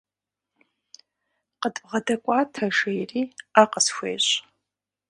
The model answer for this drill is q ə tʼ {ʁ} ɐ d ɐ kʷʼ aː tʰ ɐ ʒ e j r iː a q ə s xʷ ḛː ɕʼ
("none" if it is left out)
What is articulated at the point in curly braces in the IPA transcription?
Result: ʁ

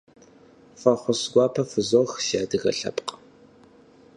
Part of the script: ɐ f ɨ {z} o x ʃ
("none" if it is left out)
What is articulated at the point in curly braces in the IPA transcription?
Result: z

